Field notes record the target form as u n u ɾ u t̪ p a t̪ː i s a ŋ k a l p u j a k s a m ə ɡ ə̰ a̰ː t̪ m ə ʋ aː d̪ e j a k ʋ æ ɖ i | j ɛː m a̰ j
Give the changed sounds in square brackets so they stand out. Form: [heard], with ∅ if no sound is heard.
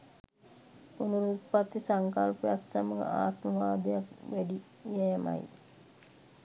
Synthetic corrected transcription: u n u ɾ u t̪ p a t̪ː i s a ŋ k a l p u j a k s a m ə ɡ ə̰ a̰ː t̪ m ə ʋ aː d̪ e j a k ʋ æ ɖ i | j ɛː m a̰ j